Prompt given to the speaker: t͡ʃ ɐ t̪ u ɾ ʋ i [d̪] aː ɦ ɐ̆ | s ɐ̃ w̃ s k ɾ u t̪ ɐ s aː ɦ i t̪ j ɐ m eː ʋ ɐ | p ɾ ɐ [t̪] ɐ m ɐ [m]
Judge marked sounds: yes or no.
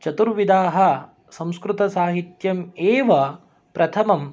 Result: yes, no, yes

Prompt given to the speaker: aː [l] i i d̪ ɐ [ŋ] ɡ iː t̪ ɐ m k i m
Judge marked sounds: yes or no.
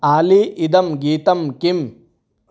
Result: yes, no

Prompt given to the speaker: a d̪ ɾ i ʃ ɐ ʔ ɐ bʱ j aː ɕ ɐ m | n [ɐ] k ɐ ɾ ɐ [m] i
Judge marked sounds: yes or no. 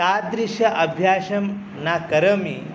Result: no, yes

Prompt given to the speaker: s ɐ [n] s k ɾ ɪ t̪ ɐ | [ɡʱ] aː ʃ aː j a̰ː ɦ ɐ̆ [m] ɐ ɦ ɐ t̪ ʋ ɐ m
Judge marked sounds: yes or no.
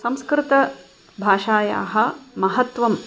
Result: no, no, yes

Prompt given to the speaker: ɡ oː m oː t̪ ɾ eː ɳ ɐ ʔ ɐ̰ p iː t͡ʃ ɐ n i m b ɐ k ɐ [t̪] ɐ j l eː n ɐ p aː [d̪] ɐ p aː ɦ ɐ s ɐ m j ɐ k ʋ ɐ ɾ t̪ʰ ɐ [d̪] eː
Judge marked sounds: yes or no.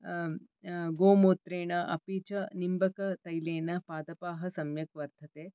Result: yes, yes, no

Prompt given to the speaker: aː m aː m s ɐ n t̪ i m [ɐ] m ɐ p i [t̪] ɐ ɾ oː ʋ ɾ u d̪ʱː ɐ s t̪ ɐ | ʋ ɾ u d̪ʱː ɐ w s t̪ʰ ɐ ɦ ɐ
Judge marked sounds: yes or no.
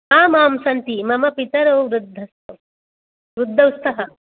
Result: yes, yes

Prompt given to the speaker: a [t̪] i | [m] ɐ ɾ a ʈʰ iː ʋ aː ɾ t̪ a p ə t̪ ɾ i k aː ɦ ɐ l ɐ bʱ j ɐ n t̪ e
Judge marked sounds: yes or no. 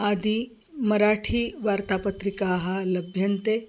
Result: no, yes

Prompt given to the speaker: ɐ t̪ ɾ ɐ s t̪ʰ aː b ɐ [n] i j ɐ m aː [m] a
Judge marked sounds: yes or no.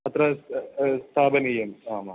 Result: yes, yes

